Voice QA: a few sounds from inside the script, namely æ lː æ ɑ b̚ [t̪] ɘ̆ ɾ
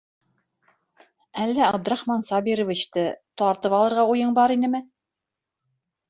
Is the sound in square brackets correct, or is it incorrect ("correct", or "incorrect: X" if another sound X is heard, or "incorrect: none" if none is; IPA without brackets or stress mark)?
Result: incorrect: d̪